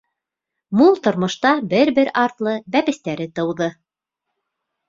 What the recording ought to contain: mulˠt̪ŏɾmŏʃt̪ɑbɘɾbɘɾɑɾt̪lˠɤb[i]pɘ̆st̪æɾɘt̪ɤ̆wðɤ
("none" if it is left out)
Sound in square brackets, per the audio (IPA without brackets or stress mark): æ